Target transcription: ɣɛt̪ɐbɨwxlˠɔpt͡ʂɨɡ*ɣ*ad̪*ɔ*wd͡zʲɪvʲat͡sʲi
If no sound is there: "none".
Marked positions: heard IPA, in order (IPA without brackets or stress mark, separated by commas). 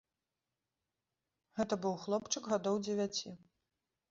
ɣ, ɔ